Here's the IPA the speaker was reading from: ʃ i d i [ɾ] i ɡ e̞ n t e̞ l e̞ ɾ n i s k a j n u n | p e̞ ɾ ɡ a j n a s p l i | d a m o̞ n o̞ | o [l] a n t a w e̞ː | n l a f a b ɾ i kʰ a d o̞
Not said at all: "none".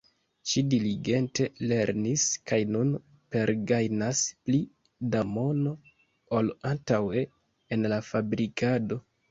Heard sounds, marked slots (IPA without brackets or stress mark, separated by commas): l, l